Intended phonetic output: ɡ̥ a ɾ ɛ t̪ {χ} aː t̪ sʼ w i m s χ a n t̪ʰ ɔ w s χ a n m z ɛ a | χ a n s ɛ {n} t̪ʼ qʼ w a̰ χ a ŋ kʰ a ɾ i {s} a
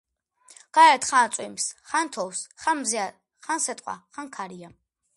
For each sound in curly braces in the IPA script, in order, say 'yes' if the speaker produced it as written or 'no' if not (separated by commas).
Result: yes, no, no